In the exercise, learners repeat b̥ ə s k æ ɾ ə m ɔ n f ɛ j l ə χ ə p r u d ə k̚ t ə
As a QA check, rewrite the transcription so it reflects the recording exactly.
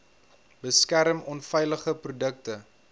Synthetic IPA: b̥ ə s k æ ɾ ə m ɔ n f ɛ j l ə χ ə p r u d ə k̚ t ə